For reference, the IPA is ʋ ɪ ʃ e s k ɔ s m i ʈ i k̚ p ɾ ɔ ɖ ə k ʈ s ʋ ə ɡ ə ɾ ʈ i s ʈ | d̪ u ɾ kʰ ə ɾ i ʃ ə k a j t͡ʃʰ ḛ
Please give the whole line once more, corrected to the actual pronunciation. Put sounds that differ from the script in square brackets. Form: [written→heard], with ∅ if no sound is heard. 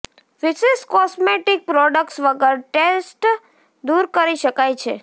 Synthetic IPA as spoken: ʋ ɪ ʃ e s k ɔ s m [i→e] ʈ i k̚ p ɾ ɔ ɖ ə k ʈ s ʋ ə ɡ ə ɾ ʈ [i→e] s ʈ | d̪ u ɾ [kʰ→k] ə ɾ i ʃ ə k a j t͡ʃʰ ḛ